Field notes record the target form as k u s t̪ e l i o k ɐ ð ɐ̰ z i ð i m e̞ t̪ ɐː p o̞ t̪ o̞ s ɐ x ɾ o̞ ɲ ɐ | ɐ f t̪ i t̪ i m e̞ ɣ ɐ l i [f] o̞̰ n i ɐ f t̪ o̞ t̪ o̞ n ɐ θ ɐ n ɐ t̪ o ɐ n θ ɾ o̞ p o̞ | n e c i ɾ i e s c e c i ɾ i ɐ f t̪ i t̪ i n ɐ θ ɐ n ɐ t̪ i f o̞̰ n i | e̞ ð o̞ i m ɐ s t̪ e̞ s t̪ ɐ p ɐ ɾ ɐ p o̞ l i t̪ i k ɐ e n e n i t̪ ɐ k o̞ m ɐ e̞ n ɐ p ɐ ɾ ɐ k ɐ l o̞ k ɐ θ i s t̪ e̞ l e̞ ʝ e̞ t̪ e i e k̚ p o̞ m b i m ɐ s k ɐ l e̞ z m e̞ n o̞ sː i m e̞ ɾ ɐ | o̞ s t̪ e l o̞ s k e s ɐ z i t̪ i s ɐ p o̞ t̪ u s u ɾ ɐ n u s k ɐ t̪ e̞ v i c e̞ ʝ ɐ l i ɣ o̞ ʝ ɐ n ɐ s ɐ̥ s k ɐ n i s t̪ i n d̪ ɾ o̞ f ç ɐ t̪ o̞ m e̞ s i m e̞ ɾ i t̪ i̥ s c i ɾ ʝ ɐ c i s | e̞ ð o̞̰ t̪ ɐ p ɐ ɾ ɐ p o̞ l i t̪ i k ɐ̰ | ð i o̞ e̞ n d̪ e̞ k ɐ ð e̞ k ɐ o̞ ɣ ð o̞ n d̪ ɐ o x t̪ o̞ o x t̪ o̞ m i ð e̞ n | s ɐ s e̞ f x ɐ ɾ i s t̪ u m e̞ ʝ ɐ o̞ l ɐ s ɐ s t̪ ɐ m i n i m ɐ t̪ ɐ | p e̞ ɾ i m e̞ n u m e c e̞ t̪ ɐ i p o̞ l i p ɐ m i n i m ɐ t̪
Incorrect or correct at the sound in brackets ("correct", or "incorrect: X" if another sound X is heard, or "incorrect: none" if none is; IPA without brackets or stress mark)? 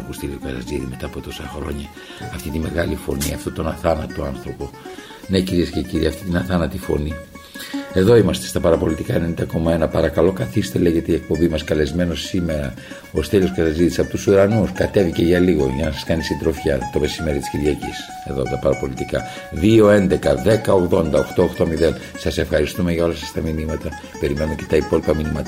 correct